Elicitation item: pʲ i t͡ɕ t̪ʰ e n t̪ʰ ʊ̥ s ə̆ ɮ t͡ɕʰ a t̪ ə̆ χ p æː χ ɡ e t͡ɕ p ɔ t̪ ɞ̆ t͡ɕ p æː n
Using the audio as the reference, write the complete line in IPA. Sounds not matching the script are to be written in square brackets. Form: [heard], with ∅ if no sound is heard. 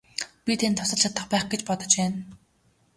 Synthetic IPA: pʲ i [∅] t̪ʰ e n t̪ʰ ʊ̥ s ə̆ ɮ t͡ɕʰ a t̪ ə̆ χ p æː χ ɡ e t͡ɕ p ɔ t̪ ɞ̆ t͡ɕ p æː n